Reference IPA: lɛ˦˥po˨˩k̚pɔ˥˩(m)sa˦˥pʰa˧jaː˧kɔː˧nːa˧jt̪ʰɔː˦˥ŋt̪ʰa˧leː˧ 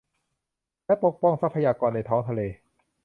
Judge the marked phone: incorrect: ŋ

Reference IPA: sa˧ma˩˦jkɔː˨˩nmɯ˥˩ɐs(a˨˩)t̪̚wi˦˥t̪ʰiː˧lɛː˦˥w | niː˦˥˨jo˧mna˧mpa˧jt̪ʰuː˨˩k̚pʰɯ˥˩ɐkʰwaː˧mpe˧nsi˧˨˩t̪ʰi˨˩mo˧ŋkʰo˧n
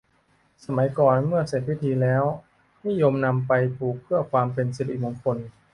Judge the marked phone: incorrect: e˨˩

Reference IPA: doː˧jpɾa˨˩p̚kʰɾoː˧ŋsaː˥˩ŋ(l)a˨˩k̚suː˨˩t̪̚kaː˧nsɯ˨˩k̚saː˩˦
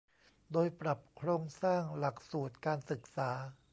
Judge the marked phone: correct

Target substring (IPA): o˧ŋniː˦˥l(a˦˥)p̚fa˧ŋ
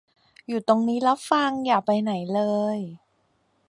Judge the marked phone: correct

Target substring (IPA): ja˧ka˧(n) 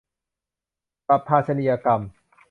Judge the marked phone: incorrect: m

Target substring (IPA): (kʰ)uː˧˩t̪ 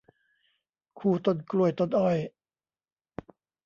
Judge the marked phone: correct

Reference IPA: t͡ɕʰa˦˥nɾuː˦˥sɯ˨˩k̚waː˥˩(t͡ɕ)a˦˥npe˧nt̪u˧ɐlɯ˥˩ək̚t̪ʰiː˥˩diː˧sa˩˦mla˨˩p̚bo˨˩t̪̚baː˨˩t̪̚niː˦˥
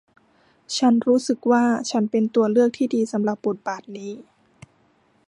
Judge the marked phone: incorrect: t͡ɕʰ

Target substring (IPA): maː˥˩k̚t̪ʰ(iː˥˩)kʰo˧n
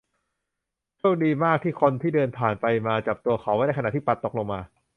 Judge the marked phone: correct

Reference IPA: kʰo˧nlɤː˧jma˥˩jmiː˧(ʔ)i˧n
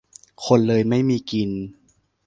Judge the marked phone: incorrect: k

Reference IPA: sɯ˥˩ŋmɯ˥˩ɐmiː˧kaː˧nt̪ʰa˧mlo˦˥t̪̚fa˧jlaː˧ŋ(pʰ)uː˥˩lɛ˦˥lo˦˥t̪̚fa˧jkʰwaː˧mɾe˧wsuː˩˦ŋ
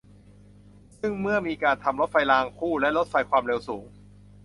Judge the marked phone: incorrect: kʰ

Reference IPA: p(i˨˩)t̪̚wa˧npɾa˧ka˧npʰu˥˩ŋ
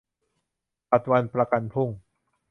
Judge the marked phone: incorrect: a˨˩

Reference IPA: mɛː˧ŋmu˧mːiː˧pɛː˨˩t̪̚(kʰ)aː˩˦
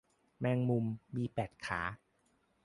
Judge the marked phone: correct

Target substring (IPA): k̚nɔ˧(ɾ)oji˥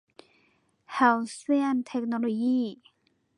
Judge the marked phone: incorrect: l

